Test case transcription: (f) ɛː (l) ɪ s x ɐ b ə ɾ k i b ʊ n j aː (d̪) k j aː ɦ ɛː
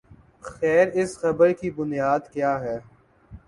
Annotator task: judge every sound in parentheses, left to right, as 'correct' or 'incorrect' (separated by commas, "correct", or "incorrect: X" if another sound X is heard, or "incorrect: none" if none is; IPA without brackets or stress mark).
incorrect: x, incorrect: ɾ, correct